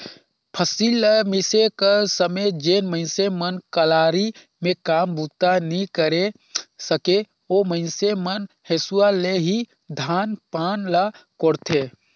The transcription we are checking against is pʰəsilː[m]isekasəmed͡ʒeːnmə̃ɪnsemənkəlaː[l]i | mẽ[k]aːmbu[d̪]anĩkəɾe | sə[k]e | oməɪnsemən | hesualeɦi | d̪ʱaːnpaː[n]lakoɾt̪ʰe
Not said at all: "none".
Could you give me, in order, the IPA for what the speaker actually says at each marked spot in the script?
m, ɾ, k, t̪, k, n

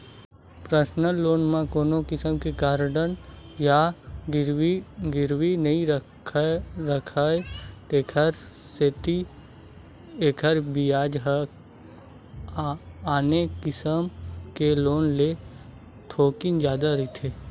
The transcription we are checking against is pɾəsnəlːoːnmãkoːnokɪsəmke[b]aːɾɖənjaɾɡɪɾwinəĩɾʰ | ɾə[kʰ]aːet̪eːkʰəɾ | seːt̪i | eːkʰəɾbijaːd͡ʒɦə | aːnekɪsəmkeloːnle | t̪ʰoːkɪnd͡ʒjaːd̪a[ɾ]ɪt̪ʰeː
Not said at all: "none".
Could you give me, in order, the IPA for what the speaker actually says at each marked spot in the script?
ɡ, kʰ, ɾ

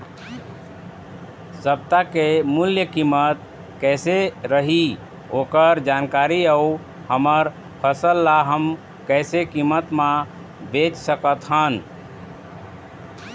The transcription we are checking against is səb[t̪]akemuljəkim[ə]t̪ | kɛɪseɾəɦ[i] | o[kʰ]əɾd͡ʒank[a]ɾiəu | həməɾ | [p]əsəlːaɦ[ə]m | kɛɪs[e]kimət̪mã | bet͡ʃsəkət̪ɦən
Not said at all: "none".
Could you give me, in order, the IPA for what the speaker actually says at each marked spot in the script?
t̪, ə, i, k, a, pʰ, ə, e

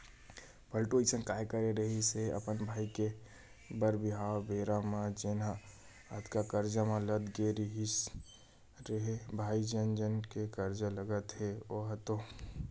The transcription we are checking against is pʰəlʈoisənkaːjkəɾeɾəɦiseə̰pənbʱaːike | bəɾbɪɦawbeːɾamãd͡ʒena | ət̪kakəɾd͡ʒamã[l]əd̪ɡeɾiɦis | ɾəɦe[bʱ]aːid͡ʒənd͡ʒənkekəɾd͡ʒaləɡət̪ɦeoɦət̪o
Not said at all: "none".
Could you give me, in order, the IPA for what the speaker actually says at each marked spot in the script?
l, bʱ

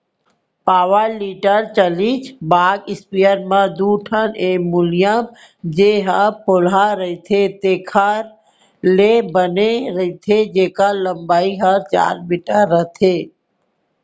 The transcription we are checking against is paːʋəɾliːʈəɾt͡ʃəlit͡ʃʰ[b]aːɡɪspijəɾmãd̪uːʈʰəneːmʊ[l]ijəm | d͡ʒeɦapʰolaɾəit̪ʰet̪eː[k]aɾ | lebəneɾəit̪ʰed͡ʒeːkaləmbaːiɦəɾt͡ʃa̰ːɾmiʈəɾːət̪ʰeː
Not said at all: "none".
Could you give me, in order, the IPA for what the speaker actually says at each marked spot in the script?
b, l, kʰ

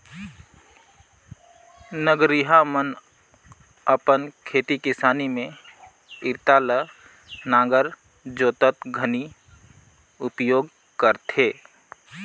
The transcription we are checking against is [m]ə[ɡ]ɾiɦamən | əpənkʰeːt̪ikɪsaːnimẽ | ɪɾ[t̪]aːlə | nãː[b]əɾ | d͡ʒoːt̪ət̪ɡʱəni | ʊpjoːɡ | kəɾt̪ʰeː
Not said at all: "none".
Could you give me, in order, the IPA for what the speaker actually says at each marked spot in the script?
n, ɡ, t̪, ɡ

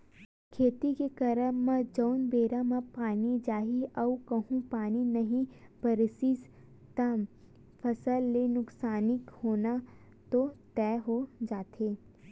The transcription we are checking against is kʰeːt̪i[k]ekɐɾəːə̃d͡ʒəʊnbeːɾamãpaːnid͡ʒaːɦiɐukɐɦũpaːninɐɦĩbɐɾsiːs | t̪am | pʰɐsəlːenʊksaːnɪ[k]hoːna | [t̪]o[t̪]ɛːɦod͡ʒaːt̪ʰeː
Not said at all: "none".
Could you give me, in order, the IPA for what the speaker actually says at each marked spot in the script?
k, k, t̪, t̪

